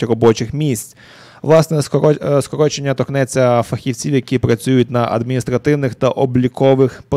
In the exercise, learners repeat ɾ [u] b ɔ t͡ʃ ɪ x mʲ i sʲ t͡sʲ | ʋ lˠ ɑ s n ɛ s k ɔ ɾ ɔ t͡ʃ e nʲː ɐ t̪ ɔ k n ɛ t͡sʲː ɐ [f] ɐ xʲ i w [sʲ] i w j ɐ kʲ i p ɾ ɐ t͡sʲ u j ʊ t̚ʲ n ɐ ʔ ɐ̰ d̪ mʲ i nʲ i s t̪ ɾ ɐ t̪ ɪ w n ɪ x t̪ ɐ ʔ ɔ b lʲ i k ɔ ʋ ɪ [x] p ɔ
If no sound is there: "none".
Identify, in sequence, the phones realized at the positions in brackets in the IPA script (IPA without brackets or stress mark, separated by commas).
ɔ, f, t͡sʲ, x